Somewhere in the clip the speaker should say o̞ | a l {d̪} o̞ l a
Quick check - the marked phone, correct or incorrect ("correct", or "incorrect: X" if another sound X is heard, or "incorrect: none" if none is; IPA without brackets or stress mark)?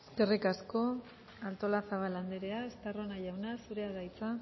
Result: incorrect: t̪